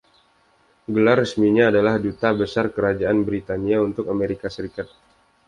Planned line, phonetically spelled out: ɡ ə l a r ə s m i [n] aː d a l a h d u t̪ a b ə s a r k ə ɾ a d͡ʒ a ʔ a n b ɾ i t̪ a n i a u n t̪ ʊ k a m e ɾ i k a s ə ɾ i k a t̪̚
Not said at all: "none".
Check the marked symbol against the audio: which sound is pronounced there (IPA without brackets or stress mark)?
ɲ